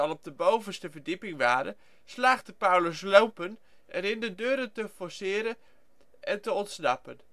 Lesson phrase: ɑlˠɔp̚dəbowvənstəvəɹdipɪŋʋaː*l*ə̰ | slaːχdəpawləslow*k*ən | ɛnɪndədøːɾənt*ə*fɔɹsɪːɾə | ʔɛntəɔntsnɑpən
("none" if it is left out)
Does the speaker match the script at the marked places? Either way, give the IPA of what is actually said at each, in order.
ɾ, p, ə

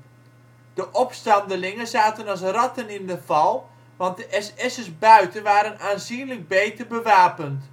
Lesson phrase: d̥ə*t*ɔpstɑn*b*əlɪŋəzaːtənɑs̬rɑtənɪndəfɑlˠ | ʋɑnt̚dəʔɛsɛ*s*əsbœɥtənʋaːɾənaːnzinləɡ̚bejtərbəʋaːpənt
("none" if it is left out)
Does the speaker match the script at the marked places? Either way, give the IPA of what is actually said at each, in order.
ʔ, d, s

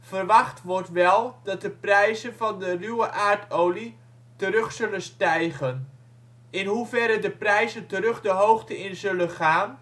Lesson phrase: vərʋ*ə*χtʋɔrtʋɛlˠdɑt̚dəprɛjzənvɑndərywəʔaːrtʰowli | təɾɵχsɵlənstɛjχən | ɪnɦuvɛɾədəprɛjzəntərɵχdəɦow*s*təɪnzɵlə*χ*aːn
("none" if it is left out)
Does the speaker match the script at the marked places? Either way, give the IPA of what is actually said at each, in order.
ɑ, χ, χ

